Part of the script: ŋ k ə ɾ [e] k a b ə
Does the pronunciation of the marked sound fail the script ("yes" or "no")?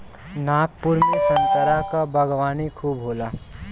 yes